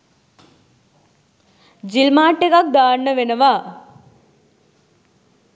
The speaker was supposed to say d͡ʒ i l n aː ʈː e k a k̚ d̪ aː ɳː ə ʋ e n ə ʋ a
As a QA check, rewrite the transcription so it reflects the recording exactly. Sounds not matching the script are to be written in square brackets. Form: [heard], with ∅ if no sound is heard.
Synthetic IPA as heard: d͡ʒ i l [m] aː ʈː e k a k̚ d̪ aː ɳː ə ʋ e n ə ʋ a